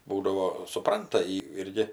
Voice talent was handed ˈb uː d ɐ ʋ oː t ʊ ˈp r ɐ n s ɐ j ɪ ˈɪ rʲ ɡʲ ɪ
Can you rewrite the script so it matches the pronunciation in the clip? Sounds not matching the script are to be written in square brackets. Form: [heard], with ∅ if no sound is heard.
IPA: ˈb uː d ɐ ʋ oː [s] ʊ ˈp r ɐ n [t] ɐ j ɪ ˈɪ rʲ ɡʲ ɪ